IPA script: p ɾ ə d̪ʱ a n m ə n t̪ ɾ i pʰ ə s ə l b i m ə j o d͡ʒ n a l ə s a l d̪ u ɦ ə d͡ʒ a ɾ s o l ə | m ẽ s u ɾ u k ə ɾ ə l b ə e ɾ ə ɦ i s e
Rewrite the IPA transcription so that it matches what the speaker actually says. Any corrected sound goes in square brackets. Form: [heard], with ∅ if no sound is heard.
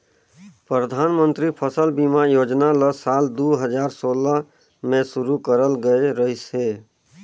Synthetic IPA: p ɾ ə d̪ʱ a n m ə n t̪ ɾ i pʰ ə s ə l b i m [a] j o d͡ʒ n a l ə s a l d̪ u ɦ ə d͡ʒ a ɾ s o l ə | m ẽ s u ɾ u k ə ɾ ə l [ɡ] ə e ɾ ə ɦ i s e

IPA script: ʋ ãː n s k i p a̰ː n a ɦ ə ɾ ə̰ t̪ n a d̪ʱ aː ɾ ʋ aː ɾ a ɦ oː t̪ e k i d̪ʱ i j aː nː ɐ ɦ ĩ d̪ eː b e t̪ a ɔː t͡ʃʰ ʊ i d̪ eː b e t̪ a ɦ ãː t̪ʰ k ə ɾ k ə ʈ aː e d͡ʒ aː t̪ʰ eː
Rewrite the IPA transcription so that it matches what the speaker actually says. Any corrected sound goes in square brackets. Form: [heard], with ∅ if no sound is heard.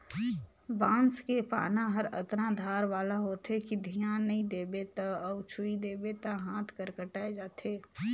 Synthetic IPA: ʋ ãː n s k [e] p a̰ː n a ɦ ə ɾ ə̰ t̪ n a d̪ʱ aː ɾ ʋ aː [l] a ɦ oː t̪ e k i d̪ʱ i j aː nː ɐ ɦ ĩ d̪ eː b e t̪ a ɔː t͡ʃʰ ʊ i d̪ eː b e t̪ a ɦ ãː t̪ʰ k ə ɾ k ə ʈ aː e d͡ʒ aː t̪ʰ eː

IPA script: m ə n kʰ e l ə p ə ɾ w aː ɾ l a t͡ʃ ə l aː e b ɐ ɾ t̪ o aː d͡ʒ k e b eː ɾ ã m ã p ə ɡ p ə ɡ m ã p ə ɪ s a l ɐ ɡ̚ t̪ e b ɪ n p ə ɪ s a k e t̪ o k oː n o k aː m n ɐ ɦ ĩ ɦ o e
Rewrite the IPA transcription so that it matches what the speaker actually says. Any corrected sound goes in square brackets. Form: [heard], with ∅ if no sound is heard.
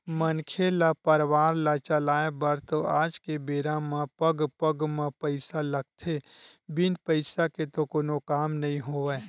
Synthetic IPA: m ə n kʰ e l [a] p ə ɾ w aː ɾ l a t͡ʃ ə l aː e b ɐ ɾ t̪ o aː d͡ʒ k e b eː ɾ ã m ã p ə ɡ p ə ɡ m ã p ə ɪ s a l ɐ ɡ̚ [t̪ʰ] e b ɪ n p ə ɪ s a k e t̪ o k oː n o k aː m n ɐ ɦ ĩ ɦ o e

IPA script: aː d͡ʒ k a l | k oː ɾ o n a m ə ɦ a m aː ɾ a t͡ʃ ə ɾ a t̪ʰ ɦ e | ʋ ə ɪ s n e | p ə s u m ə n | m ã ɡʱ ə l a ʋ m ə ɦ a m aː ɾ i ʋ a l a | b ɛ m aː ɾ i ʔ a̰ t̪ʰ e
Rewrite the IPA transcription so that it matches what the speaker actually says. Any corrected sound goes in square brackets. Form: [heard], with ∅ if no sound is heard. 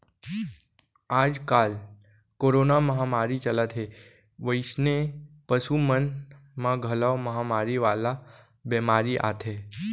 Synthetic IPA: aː d͡ʒ k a l | k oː ɾ o n a m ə ɦ a m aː ɾ [i] t͡ʃ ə [l] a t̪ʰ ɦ e | ʋ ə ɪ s n e | p ə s u m ə n | m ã ɡʱ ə l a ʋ m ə ɦ a m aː ɾ i ʋ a l a | b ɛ m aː ɾ i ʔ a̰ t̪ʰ e

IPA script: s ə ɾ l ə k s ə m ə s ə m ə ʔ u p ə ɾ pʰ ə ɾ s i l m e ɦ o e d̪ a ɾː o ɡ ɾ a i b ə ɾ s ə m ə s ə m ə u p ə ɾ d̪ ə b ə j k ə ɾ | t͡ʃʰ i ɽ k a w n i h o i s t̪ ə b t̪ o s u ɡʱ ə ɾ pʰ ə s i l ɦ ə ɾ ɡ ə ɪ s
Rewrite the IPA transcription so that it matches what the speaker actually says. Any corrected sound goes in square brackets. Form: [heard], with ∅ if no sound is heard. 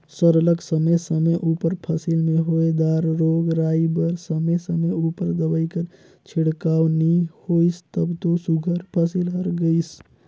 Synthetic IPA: s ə ɾ l ə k s ə m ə s ə m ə ʔ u p ə ɾ pʰ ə [∅] s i l m e ɦ o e d̪ a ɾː o ɡ ɾ a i b ə ɾ s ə m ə s ə m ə u p ə ɾ d̪ ə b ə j k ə ɾ | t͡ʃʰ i ɽ k a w n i h o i s t̪ ə b t̪ o s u ɡʱ ə ɾ pʰ ə s i l ɦ ə ɾ ɡ ə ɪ s

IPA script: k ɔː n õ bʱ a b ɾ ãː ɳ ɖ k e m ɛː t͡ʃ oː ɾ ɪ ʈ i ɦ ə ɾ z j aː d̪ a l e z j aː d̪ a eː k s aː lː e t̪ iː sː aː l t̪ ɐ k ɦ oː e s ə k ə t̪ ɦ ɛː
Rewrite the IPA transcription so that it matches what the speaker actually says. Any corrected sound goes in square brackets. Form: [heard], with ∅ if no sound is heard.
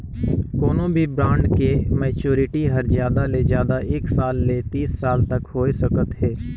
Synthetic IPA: k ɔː n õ bʱ [i] b ɾ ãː ɳ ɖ k e m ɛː t͡ʃ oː ɾ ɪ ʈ i ɦ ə ɾ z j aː d̪ a l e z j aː d̪ a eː k s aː lː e t̪ iː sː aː l t̪ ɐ k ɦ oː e s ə k ə t̪ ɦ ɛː

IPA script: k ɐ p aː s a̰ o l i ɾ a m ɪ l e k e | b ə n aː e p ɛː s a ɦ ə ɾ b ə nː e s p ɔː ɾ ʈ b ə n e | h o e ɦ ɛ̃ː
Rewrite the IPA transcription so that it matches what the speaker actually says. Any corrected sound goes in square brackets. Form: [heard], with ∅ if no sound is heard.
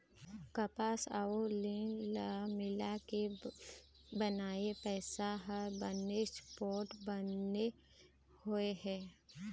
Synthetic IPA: k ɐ p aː s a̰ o l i [l] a m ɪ l [a] k e | b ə n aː e p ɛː s a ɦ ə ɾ b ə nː e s p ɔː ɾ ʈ b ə n e | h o e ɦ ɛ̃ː

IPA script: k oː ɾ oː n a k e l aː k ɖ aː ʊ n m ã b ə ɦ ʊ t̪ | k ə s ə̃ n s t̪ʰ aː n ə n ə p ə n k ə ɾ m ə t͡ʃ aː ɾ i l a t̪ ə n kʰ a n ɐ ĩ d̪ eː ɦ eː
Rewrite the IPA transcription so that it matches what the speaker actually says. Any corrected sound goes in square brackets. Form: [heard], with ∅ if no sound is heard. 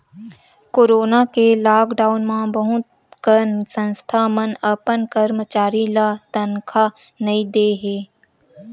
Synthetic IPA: k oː ɾ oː n a k e l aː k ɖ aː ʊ n m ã b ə ɦ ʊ t̪ | k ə s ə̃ n s t̪ʰ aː [m] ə n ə p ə n k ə ɾ m ə t͡ʃ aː ɾ i l a t̪ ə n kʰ a n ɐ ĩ d̪ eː ɦ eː

